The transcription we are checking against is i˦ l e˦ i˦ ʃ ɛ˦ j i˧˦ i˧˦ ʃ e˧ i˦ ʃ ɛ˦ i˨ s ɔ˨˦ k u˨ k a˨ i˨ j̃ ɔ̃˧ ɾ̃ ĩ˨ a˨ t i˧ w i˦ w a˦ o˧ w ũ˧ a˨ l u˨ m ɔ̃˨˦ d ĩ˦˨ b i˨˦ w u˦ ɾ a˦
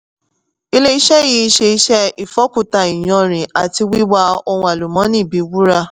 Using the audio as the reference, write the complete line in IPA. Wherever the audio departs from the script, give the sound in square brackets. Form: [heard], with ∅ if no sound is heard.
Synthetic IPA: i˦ l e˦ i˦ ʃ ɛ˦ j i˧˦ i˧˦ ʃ e˧ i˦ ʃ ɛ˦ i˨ [f] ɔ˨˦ k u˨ [t] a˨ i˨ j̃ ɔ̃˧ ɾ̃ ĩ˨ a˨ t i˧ w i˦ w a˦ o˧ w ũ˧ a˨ l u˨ m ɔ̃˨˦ [n] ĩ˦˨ b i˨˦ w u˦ ɾ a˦